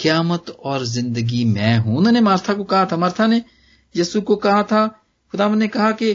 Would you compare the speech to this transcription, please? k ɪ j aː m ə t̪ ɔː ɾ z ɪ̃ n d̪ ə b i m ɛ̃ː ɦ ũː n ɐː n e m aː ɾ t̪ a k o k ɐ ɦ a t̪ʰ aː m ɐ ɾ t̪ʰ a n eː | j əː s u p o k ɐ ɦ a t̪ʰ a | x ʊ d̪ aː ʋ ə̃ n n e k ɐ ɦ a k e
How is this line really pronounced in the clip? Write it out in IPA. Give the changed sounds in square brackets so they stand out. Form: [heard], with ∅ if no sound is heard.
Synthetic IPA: k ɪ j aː m ə t̪ ɔː ɾ z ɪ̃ n d̪ ə [ɡ] i m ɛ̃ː ɦ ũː n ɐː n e m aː ɾ [t̪ʰ] a k o k ɐ ɦ a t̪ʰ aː m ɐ ɾ t̪ʰ a n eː | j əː s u [k] o k ɐ ɦ a t̪ʰ a | x ʊ d̪ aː ʋ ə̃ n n e k ɐ ɦ a k e